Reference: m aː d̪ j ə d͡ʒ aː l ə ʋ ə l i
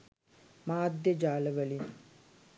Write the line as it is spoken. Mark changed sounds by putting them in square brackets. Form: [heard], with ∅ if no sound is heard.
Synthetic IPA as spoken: m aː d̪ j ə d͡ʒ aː l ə ʋ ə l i

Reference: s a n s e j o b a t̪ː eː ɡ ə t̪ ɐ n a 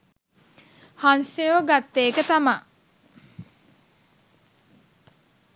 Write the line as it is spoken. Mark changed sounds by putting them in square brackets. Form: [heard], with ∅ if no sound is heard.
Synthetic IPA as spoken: [h] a n s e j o [ɡ] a t̪ː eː [k] ə t̪ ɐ [m] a

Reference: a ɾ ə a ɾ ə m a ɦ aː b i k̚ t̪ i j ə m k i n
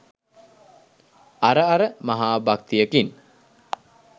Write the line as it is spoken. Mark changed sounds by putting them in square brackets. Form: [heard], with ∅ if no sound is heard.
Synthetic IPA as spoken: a ɾ ə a ɾ ə m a ɦ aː b [a] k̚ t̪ i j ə [∅] k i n

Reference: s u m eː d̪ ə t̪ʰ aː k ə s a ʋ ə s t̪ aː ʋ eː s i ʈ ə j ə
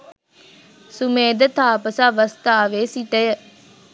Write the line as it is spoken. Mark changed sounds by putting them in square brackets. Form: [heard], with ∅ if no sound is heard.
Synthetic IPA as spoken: s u m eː d̪ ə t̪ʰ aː [p] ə s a ʋ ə s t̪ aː ʋ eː s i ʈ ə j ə

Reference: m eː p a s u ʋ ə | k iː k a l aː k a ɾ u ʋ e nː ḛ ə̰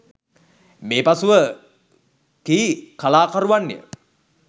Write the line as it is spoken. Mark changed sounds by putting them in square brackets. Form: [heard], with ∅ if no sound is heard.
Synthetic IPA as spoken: m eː p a s u ʋ ə | k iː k a l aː k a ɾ u ʋ [a] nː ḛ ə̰

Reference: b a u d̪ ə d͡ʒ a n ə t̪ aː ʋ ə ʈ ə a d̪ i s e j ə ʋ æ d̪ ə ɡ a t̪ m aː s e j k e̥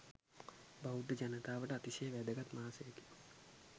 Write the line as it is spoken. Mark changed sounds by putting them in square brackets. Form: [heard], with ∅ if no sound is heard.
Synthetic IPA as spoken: b a u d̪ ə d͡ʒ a n ə t̪ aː ʋ ə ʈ ə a [t̪] i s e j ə ʋ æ d̪ ə ɡ a t̪ m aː s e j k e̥

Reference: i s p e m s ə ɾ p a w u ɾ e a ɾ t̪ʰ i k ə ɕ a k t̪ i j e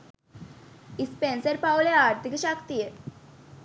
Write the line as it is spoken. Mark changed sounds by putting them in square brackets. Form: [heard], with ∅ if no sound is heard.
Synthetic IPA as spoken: i s p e [n] s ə ɾ p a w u [l] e a ɾ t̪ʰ i k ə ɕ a k t̪ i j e

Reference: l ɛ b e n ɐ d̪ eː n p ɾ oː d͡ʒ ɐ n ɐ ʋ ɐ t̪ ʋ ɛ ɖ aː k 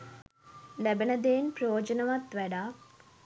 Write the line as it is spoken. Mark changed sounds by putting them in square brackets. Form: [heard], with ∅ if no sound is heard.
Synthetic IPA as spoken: l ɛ b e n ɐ d̪ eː n p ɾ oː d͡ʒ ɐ n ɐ ʋ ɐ t̪ ʋ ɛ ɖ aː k

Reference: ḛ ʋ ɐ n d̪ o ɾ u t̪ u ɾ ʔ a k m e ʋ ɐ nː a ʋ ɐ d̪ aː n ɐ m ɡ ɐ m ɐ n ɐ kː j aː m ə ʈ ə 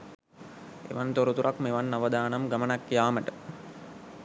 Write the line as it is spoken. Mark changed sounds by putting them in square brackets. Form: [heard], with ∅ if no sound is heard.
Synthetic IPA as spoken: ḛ ʋ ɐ n [t̪] o ɾ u t̪ u ɾ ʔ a k m e ʋ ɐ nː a ʋ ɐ d̪ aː n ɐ m ɡ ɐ m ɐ n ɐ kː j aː m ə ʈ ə

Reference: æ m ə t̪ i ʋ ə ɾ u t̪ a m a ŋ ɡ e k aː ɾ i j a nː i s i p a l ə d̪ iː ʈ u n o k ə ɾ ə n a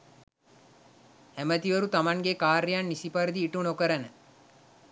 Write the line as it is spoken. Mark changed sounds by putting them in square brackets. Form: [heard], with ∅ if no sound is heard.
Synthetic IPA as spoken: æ m ə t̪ i ʋ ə ɾ u t̪ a m a ŋ ɡ e k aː ɾ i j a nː i s i p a [ɾ] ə d̪ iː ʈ u n o k ə ɾ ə n [ə]

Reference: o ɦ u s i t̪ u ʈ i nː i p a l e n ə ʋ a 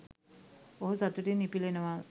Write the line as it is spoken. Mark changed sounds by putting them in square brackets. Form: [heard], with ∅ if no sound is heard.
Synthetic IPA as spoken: o ɦ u s [a] t̪ u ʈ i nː i p [i] l e n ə ʋ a

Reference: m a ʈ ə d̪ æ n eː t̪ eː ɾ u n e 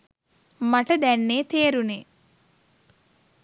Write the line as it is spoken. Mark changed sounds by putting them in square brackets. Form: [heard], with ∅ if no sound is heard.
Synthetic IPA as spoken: m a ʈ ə d̪ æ [nː] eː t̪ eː ɾ u n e

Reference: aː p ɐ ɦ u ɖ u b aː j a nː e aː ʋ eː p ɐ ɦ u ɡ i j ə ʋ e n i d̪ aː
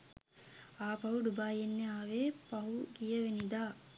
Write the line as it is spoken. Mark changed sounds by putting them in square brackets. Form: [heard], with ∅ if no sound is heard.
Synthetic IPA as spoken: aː p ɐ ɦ u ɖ u b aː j [e] nː e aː ʋ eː p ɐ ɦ u ɡ i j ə ʋ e n i d̪ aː

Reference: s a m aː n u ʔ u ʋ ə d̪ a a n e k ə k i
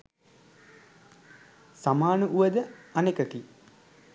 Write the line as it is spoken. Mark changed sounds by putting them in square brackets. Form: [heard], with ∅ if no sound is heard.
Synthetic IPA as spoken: s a m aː n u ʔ u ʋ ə d̪ [ə] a n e k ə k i

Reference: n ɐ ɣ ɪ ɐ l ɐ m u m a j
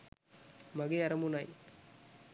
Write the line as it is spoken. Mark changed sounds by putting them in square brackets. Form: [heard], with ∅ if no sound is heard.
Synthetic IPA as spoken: [m] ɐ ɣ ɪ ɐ [ɾ] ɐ m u [n] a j

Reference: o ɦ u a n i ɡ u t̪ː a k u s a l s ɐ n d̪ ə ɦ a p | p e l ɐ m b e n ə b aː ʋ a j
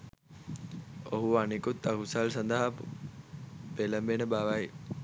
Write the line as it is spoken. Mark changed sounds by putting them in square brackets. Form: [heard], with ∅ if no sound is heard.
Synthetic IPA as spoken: o ɦ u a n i [k] u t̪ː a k u s a l s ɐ n d̪ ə ɦ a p | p e l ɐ m b e n ə b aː ʋ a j

